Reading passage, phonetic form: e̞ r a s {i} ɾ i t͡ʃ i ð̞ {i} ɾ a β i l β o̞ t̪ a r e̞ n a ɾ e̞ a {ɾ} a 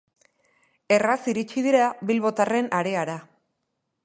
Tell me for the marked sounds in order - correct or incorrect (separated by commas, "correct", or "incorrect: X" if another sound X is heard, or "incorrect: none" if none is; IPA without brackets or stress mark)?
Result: correct, correct, correct